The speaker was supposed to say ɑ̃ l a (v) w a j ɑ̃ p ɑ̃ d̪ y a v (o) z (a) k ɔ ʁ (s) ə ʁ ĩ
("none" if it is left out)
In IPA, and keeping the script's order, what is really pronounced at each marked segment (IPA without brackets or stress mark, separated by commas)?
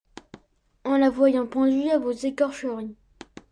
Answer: v, o, e, ʃ